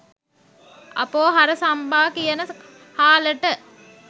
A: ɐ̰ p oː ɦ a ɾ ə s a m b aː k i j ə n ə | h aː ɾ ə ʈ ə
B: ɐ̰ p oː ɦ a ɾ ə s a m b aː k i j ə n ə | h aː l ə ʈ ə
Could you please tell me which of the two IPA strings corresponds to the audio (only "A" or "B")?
B